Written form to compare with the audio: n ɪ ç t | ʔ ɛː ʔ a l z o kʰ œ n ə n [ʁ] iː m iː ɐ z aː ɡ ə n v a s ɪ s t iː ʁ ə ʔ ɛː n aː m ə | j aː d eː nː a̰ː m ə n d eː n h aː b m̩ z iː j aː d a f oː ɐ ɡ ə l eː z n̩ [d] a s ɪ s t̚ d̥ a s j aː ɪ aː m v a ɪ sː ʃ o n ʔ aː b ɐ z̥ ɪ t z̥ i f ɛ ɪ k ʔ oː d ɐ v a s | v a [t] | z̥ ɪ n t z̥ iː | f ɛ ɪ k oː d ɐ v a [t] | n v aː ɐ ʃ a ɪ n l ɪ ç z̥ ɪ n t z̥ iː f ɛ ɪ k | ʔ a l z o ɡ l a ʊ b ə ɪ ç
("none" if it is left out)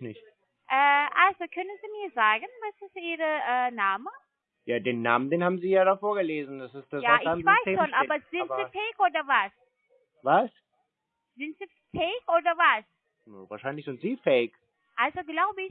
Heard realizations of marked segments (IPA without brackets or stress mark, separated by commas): z, d, s, s